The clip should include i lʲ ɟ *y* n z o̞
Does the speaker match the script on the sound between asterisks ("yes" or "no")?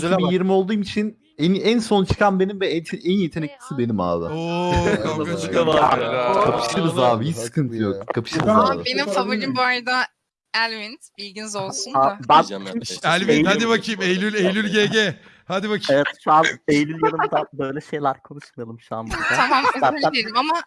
no